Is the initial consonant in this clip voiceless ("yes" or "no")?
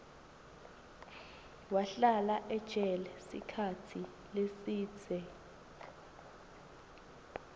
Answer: no